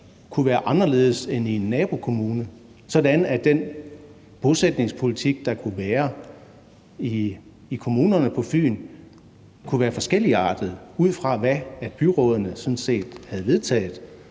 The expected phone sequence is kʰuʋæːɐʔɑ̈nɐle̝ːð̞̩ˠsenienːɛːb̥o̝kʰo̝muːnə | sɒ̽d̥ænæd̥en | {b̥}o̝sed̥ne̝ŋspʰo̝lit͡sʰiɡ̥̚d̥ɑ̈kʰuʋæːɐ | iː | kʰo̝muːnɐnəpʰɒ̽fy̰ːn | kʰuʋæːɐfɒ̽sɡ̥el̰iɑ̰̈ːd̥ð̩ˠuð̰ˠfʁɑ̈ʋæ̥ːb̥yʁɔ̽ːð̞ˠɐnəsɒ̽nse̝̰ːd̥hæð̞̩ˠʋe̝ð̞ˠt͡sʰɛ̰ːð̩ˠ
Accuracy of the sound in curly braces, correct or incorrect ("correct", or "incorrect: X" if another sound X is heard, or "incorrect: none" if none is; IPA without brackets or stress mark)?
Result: correct